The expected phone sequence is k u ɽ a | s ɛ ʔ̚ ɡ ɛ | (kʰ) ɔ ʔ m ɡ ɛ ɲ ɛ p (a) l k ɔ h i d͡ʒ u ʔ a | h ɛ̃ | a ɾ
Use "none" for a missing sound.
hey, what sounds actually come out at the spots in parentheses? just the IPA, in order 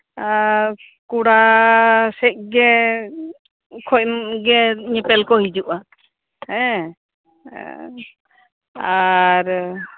kʰ, ɛ

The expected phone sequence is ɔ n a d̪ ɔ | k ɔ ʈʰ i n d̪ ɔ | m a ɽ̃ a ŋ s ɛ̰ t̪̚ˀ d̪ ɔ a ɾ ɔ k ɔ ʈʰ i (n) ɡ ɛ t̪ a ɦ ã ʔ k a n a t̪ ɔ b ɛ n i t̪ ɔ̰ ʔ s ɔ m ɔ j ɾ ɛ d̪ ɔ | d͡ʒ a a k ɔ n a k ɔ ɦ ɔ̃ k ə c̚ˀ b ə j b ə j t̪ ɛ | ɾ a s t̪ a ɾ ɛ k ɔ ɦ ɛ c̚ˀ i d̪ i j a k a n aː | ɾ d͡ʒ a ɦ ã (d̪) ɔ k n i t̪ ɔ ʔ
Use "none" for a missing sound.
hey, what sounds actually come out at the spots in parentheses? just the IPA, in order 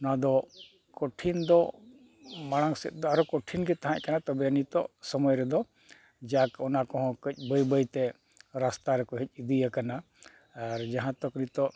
n, t̪

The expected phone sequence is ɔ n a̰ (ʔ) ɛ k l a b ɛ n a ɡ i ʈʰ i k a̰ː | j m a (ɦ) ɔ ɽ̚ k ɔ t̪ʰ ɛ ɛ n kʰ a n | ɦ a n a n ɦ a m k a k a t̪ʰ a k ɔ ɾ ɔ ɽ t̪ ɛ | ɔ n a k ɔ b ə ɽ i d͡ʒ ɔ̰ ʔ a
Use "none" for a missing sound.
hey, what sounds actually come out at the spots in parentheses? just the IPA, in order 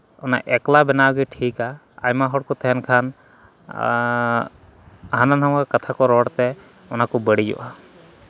ʔ, ɦ

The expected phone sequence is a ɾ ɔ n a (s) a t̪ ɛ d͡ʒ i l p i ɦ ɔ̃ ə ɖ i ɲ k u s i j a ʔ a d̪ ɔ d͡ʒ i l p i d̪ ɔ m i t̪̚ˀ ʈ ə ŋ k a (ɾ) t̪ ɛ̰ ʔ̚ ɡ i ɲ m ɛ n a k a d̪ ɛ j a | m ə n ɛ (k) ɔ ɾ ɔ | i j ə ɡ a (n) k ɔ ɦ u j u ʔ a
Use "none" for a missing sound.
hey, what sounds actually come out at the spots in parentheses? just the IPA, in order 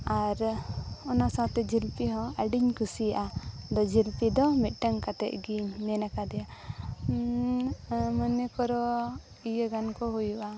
s, none, k, n

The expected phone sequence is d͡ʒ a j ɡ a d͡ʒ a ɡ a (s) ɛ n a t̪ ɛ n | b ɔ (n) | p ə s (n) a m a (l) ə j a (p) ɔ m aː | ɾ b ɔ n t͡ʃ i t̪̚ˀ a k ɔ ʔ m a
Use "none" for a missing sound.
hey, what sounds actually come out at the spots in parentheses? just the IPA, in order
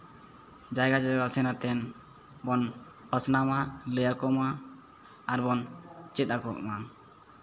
s, n, n, l, k

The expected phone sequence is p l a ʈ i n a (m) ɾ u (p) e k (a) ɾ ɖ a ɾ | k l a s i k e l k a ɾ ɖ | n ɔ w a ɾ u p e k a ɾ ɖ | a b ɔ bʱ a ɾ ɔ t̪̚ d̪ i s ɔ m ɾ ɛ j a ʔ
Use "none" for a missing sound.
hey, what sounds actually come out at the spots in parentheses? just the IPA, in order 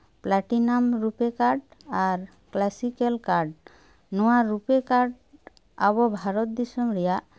m, p, a

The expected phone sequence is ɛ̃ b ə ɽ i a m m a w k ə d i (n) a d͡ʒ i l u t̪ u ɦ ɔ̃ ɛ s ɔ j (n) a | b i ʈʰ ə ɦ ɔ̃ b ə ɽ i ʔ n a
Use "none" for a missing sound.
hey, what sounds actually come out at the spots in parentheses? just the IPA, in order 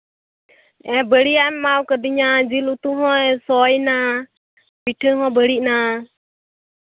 ɲ, n

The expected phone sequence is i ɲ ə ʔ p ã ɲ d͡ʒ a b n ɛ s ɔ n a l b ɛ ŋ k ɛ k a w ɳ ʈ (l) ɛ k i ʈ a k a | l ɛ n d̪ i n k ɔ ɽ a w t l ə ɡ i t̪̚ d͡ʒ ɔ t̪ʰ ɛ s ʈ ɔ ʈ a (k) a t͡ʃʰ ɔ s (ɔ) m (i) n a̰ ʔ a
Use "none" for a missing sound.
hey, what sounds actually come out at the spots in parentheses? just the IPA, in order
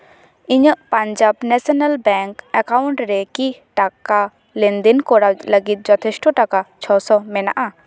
ɾ, k, ɔ, ɛ

